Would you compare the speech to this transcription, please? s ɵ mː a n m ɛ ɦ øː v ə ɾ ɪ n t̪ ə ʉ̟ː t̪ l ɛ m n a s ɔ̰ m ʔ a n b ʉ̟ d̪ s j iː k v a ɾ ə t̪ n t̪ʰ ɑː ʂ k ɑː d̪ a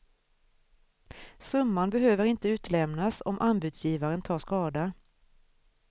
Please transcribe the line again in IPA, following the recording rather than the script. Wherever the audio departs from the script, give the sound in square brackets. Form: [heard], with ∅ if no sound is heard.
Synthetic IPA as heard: s ɵ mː a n [b] ɛ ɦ øː v ə ɾ ɪ n t̪ ə ʉ̟ː t̪ l ɛ m n a s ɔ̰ m ʔ a n b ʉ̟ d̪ s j iː [∅] v a ɾ ə [∅] n t̪ʰ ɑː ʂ k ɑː d̪ a